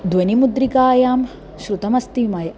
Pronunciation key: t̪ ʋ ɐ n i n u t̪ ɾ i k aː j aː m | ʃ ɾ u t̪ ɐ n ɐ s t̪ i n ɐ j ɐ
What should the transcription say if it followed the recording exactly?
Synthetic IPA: d̪ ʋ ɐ n i m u d̪ ɾ i k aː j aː m | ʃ ɾ u t̪ ɐ m ɐ s t̪ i m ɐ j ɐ